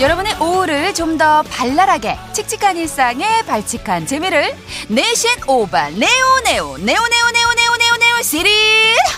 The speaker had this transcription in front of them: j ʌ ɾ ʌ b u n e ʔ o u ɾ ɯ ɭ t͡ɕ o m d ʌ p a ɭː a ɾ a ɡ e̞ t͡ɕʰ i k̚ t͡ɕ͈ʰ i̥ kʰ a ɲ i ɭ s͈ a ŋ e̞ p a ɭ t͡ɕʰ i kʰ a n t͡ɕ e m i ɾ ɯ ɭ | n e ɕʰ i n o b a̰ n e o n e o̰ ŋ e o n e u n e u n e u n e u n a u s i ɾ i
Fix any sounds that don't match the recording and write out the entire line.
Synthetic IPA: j ʌ ɾ ʌ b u n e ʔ o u ɾ ɯ ɭ t͡ɕ o m d ʌ p a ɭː a ɾ a ɡ e̞ t͡ɕʰ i k̚ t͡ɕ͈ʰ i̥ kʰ a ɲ i ɭ s͈ a ŋ e̞ p a ɭ t͡ɕʰ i kʰ a n t͡ɕ e m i ɾ ɯ ɭ | n e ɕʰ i n o b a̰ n e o n e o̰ n e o n e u n e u n e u n e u n e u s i ɾ i